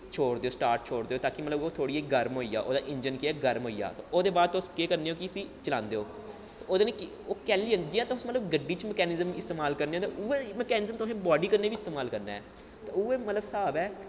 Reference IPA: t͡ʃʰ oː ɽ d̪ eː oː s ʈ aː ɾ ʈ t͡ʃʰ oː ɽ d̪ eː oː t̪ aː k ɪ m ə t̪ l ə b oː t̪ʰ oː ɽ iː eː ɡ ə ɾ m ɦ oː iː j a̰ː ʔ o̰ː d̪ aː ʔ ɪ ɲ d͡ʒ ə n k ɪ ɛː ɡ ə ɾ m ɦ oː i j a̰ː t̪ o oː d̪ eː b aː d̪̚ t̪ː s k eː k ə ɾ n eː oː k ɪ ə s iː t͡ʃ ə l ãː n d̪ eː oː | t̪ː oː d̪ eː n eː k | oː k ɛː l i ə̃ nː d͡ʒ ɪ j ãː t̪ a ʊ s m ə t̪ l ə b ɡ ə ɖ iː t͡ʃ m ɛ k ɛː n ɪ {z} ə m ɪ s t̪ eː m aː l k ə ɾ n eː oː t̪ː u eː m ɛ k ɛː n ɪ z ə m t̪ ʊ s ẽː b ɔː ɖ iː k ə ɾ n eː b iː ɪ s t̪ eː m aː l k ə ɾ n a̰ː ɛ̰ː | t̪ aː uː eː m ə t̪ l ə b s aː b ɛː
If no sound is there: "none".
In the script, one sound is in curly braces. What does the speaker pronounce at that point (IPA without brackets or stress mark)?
z